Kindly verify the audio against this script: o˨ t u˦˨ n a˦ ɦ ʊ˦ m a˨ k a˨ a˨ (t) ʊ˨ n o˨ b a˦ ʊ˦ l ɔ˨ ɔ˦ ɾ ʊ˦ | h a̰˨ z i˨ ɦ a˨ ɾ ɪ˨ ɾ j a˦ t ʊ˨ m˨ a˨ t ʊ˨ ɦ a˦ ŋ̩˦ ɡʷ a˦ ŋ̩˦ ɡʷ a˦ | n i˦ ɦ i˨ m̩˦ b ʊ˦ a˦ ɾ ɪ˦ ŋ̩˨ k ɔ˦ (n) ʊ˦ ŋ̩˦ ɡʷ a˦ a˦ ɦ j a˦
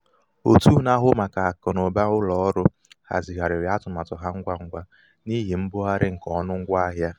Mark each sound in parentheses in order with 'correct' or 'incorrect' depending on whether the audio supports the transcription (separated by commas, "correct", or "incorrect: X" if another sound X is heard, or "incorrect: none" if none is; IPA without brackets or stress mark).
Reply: incorrect: k, correct